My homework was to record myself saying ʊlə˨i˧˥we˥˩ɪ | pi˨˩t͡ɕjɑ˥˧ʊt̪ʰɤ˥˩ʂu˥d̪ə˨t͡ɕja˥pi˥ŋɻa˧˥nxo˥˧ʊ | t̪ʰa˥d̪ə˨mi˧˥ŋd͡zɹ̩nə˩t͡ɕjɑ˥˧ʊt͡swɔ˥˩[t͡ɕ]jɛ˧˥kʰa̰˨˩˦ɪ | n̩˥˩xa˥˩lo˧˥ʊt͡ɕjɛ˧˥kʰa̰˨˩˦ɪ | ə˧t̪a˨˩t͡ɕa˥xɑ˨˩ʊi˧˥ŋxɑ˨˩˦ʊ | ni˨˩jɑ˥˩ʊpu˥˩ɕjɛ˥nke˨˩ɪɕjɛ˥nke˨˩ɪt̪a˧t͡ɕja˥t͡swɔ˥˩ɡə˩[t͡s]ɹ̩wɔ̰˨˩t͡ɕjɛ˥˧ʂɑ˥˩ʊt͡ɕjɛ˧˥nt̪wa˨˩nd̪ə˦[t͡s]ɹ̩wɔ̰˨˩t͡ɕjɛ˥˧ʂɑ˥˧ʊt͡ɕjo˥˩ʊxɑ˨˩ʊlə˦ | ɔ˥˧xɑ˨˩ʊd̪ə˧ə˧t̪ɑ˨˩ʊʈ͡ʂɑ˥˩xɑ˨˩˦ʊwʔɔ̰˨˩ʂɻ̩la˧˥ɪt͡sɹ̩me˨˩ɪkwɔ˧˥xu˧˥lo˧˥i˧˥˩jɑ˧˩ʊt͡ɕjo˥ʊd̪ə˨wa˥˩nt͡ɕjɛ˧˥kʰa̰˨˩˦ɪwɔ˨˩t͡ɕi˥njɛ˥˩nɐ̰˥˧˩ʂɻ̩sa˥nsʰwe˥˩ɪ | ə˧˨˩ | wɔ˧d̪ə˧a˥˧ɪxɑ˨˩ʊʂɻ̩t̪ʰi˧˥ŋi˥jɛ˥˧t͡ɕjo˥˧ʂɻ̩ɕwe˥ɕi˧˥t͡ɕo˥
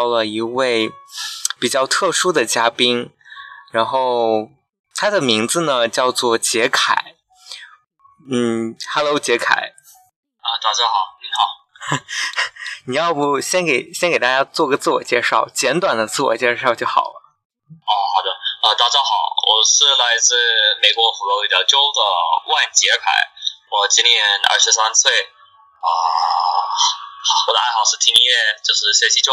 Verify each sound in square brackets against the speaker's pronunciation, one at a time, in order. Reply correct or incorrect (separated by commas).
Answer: correct, correct, correct